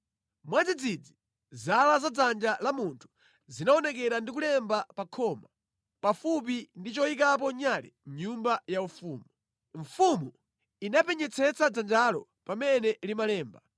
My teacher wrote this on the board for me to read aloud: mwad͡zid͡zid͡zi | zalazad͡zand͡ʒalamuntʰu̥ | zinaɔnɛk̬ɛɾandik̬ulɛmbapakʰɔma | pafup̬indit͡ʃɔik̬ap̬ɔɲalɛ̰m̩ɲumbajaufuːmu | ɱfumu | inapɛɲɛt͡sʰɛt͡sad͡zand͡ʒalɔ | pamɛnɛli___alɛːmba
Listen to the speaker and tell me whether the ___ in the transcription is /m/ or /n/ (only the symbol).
m